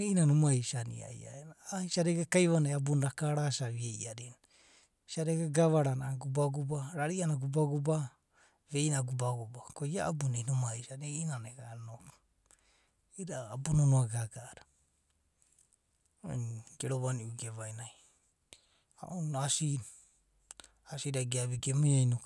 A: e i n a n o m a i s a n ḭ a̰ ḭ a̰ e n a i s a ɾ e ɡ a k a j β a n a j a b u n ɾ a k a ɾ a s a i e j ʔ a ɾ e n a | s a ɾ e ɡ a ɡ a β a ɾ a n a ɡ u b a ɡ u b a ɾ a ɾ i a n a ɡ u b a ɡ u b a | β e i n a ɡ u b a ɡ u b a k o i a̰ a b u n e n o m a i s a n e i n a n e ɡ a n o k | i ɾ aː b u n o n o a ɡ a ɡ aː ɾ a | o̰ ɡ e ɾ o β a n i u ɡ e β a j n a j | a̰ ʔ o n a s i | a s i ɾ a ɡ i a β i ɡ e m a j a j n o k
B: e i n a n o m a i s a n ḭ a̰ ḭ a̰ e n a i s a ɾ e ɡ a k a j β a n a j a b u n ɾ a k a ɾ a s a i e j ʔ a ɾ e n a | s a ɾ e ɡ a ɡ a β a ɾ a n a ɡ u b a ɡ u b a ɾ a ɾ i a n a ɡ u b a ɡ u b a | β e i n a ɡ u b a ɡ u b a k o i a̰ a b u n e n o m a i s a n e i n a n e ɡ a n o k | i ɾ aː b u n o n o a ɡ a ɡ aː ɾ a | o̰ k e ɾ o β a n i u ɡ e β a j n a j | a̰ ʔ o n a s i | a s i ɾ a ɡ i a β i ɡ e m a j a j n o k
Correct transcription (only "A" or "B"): A